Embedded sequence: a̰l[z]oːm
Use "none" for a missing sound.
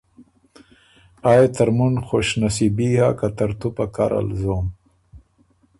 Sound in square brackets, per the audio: z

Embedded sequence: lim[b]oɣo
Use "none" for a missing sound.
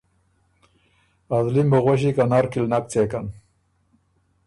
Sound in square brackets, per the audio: b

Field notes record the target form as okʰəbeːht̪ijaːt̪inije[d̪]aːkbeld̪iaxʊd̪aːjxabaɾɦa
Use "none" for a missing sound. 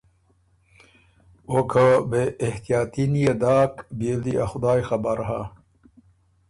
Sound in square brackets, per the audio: d̪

